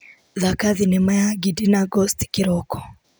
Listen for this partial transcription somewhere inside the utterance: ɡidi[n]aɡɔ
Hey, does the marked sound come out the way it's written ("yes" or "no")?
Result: yes